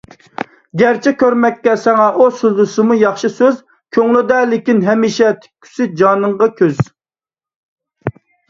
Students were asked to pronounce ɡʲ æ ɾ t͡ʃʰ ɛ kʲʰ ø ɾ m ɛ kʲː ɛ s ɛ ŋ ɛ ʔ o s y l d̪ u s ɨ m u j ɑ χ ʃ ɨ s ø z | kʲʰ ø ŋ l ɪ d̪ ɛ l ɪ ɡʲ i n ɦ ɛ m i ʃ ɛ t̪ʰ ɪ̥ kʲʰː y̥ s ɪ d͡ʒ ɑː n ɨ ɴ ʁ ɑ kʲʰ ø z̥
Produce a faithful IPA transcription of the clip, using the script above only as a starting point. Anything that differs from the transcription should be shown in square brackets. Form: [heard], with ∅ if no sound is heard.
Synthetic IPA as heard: ɡʲ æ ɾ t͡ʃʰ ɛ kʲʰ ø ɾ m ɛ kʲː ɛ s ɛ ŋ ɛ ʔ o s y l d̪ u s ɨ m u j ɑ χ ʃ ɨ s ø z | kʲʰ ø ŋ l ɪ d̪ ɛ l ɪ [kʲ] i n ɦ ɛ m i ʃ ɛ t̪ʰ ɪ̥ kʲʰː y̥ s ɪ d͡ʒ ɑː n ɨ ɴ ʁ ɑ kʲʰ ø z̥